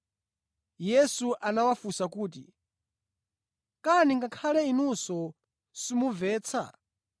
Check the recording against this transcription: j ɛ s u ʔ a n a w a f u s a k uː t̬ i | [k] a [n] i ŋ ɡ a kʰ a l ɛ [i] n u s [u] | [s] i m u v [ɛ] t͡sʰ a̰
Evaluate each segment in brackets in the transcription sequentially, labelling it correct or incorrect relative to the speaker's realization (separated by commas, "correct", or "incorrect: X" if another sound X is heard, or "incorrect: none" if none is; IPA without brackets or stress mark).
correct, correct, correct, incorrect: ɔ, correct, incorrect: ɛː